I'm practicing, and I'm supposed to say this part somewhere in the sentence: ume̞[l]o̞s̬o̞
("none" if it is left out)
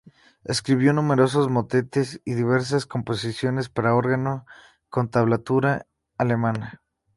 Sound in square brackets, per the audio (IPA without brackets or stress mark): ɾ